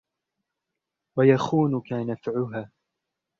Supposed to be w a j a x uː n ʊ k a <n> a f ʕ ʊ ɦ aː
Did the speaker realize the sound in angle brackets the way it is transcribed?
yes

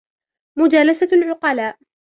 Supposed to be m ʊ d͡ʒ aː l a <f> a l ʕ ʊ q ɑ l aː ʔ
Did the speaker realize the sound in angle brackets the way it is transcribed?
no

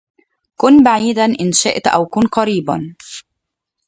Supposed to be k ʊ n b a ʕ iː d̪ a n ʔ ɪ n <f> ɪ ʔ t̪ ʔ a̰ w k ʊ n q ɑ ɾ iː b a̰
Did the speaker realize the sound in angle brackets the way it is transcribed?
no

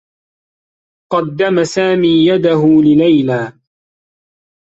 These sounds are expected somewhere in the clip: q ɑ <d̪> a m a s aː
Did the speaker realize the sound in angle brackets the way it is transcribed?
no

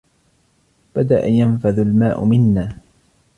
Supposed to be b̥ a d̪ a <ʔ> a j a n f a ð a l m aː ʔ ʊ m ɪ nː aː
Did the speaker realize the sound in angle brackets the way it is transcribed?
yes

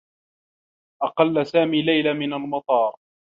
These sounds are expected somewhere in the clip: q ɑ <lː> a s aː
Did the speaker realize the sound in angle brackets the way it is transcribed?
yes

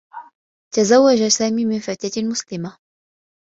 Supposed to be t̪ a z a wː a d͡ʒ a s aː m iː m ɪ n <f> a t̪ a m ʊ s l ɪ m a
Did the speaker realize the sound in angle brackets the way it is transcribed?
yes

